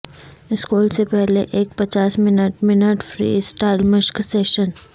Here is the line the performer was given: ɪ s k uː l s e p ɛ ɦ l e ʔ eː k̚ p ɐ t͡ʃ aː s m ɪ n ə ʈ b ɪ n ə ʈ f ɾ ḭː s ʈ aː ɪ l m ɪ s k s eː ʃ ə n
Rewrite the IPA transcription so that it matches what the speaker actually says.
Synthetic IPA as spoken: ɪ s k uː l s e p ɛ ɦ l e ʔ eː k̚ p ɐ t͡ʃ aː s m ɪ n ə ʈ m ɪ n ə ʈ f ɾ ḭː s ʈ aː ɪ l m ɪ ʃ k s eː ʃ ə n

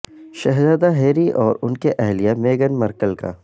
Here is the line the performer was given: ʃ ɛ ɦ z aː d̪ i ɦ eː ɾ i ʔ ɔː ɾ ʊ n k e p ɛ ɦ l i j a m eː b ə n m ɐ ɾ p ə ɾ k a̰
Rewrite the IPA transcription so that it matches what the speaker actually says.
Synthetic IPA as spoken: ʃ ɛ ɦ z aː d̪ a ɦ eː ɾ i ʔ ɔː ɾ ʊ n k e ʔ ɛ ɦ l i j a m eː ɡ ə n m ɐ ɾ k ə l k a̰

